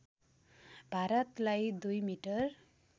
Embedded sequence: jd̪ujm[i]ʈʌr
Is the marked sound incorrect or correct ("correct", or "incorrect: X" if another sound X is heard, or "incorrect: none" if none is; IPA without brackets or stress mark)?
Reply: correct